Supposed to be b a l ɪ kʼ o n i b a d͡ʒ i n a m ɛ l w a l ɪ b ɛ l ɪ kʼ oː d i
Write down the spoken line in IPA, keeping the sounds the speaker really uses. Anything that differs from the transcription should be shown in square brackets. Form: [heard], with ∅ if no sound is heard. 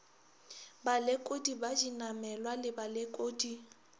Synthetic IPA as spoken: b a l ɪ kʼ o [d] i b a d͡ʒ i n a m ɛ l w a l ɪ b [a] l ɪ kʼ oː d i